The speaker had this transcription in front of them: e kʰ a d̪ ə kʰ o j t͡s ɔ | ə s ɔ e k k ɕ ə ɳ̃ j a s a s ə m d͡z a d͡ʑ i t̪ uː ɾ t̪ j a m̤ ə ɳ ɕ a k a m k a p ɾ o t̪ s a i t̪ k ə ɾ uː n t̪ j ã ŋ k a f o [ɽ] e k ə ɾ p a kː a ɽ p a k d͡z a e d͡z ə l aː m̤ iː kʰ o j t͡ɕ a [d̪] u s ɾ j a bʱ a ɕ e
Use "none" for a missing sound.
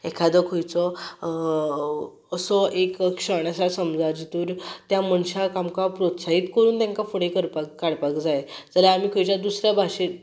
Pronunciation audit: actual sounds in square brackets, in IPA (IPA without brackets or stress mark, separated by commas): ɽ, d̪